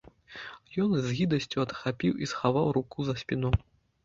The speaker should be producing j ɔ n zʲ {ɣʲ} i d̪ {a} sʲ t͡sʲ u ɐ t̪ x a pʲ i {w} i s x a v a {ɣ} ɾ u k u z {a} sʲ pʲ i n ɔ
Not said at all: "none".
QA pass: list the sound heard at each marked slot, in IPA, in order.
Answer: ɣʲ, ɐ, w, w, ɐ

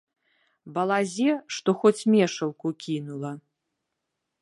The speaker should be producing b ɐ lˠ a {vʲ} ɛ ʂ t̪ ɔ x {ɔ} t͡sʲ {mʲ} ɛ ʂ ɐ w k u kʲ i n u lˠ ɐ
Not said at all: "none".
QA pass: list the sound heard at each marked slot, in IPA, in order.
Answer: zʲ, ɔ, mʲ

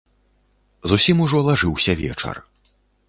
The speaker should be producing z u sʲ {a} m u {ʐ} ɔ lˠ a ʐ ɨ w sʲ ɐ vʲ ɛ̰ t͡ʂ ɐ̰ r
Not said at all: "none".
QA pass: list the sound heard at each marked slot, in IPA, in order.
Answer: i, ʐ

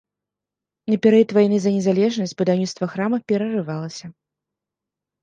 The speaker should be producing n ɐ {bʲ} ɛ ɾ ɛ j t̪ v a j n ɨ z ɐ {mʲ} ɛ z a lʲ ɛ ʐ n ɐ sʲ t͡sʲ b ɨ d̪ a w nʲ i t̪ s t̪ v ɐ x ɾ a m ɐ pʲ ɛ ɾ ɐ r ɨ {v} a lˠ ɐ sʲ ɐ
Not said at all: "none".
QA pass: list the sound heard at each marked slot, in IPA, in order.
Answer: pʲ, nʲ, v

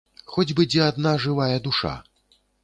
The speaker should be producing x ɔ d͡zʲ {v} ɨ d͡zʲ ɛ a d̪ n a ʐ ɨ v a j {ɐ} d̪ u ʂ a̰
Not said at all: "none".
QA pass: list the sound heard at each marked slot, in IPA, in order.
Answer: b, ɐ

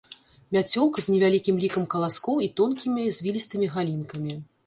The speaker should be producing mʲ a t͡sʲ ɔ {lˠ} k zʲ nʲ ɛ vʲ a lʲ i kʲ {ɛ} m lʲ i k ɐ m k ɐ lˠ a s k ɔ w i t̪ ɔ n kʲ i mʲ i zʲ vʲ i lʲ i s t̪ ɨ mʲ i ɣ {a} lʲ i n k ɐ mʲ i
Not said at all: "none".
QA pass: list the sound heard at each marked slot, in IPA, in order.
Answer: lˠ, i, a

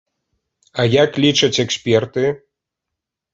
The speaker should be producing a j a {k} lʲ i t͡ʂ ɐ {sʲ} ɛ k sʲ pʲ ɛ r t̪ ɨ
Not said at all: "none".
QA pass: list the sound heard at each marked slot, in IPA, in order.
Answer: k, t͡sʲ

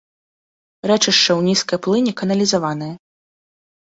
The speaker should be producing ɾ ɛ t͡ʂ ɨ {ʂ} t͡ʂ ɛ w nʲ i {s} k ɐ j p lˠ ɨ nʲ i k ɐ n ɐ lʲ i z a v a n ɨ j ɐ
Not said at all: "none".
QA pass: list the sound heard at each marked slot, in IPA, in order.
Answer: ʂ, s

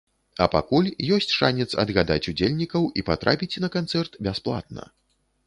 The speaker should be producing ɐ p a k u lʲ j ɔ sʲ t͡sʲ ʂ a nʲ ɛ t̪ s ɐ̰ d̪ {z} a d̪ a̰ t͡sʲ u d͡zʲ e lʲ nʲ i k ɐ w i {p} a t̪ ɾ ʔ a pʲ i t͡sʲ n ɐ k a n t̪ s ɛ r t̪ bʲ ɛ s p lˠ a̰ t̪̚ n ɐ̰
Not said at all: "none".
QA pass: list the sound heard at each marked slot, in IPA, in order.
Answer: ɣ, p

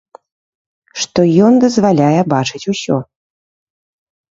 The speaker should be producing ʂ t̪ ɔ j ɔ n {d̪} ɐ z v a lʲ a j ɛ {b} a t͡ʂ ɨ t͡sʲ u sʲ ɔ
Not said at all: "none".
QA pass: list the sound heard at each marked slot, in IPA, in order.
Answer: d̪, b

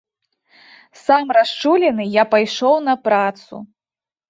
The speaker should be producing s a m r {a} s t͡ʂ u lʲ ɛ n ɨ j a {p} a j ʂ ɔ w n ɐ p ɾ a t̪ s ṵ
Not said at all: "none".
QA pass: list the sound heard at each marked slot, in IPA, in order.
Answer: a, p

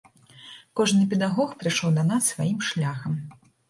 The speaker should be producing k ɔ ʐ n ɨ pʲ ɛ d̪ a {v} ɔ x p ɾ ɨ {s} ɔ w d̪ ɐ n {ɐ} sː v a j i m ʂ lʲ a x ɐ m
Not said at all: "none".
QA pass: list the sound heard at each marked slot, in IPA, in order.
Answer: ɣ, ʂ, a

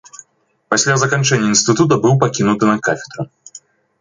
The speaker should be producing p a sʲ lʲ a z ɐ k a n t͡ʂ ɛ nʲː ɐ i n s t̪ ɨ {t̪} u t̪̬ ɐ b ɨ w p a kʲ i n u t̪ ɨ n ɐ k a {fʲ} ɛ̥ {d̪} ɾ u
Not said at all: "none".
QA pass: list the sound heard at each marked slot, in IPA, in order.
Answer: t̪, fʲ, d̪

